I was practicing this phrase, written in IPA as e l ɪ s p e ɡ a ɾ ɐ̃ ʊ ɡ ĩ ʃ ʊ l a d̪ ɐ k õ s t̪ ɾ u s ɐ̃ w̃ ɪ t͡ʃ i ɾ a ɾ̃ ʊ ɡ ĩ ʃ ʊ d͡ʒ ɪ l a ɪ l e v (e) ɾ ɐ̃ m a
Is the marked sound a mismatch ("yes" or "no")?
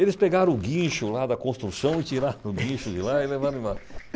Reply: yes